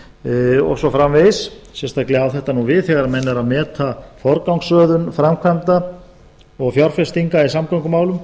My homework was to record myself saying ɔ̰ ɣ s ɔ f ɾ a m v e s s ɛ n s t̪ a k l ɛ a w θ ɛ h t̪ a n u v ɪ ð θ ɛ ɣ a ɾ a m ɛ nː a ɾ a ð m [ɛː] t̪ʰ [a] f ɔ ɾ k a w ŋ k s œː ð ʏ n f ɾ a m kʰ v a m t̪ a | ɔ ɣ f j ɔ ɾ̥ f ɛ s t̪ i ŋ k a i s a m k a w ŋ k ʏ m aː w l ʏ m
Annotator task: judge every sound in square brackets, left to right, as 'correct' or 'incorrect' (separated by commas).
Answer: correct, correct